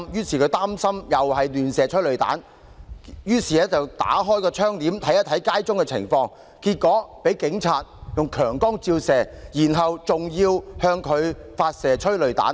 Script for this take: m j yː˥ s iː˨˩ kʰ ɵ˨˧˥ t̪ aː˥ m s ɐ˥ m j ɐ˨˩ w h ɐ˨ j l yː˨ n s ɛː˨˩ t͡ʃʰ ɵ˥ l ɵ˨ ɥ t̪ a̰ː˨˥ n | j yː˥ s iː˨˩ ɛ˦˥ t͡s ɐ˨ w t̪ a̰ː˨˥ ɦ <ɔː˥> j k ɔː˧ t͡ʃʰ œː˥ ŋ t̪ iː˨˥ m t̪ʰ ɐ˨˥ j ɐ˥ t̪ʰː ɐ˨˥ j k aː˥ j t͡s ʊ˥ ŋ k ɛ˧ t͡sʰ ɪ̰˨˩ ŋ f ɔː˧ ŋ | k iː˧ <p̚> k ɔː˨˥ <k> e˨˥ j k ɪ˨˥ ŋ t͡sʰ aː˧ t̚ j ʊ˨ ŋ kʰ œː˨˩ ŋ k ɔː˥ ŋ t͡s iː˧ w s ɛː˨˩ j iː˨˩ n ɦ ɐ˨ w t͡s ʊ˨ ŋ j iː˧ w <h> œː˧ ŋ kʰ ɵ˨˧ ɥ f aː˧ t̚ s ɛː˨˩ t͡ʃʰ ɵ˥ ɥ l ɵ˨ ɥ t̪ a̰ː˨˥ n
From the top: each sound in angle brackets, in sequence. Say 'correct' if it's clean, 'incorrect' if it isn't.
correct, incorrect: t̚, incorrect: p, correct

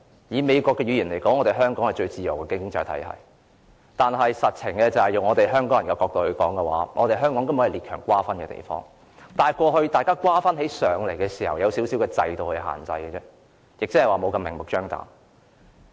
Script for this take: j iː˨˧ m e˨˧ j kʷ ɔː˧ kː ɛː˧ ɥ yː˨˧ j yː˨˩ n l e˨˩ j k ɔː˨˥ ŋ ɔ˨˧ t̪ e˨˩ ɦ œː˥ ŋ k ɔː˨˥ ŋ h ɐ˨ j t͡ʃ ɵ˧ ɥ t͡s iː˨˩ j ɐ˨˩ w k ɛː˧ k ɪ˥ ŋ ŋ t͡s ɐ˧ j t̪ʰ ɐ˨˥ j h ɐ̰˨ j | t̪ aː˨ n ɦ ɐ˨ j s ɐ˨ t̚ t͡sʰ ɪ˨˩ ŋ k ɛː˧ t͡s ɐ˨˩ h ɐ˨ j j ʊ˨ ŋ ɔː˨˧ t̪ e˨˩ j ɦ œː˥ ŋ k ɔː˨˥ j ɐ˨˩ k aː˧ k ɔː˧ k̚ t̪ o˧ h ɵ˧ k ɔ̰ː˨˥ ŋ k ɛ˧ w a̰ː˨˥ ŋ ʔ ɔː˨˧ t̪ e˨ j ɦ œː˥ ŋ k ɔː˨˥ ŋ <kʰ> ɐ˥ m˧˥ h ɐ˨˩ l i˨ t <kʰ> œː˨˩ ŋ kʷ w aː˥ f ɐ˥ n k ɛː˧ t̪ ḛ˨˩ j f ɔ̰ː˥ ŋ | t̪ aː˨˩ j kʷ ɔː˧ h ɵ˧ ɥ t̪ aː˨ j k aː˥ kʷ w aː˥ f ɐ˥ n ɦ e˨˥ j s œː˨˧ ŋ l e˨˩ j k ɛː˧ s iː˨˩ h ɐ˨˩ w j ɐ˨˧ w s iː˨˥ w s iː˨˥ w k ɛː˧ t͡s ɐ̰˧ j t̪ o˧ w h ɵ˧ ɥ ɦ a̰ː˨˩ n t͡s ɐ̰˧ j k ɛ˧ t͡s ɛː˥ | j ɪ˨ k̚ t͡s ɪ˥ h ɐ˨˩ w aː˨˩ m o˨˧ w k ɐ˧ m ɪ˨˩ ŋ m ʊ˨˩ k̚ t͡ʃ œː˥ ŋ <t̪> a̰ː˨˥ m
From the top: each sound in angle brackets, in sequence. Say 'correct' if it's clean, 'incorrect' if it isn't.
incorrect: k, correct, correct

